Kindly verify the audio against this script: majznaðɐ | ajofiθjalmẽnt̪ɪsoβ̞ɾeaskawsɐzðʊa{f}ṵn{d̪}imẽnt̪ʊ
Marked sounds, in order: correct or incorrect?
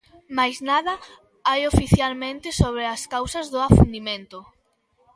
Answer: correct, correct

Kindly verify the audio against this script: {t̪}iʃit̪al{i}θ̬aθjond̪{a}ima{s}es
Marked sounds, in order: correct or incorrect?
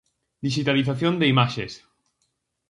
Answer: incorrect, correct, incorrect, incorrect

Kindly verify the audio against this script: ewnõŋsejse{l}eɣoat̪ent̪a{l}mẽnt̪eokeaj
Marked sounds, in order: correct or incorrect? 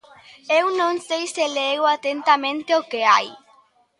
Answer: correct, incorrect

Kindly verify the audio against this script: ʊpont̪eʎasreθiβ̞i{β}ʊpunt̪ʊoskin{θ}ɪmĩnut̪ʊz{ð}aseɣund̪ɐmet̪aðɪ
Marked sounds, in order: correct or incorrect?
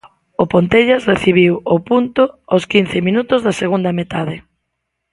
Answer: incorrect, correct, correct

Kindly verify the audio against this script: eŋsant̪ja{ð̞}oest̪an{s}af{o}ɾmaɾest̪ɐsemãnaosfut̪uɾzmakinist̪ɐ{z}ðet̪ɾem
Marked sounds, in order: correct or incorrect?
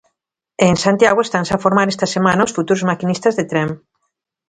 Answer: incorrect, correct, correct, correct

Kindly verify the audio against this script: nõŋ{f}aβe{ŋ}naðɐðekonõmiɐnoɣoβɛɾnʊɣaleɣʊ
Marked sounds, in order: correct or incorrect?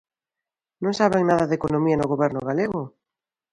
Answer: incorrect, correct

